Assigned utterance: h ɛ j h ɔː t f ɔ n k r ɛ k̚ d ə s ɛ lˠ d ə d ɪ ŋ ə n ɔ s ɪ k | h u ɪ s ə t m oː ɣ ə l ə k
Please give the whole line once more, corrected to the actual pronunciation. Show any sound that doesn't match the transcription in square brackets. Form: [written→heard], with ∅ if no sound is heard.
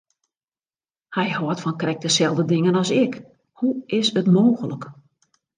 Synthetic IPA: h ɛ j h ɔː t f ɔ n k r ɛ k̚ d ə s ɛ lˠ d ə d ɪ ŋ ə n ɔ s ɪ k | h u ɪ s ə t m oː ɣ ə l ə k